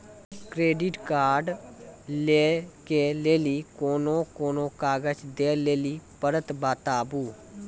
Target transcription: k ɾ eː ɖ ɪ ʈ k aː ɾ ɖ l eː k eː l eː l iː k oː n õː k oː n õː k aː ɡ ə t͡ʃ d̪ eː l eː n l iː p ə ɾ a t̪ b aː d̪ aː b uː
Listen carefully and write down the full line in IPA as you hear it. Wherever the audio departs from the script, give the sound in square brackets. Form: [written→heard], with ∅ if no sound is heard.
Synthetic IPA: k ɾ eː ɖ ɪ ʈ k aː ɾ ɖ l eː k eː l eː l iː k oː n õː k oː n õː k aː ɡ ə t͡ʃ d̪ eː l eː [n→∅] l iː p ə ɾ [a→ə] t̪ b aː [d̪→t̪] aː b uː